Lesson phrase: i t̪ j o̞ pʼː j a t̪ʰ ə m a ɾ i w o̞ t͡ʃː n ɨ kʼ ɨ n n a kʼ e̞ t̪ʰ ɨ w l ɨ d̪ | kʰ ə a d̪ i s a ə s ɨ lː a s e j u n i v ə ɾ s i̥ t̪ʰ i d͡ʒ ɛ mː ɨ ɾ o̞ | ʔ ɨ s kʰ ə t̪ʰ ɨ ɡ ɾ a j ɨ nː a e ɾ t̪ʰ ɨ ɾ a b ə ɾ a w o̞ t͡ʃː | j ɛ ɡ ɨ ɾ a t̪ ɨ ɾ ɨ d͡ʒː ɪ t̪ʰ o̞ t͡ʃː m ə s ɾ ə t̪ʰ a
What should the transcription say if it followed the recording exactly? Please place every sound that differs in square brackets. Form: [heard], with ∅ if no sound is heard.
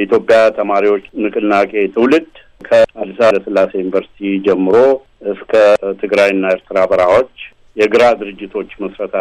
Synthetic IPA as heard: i t̪ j o̞ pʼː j a t̪ʰ ə m a ɾ i w o̞ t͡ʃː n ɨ kʼ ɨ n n a kʼ e̞ t̪ʰ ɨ w l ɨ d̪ | kʰ ə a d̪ i s a ə s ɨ lː a s e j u n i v ə ɾ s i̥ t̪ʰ i d͡ʒ ɛ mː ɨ ɾ o̞ | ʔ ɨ s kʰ ə t̪ʰ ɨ ɡ ɾ a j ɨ nː a e ɾ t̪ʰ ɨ ɾ a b ə ɾ a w o̞ t͡ʃː | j ɛ ɡ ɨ ɾ a [d̪] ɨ ɾ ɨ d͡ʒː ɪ t̪ʰ o̞ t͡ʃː m ə s ɾ ə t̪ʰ a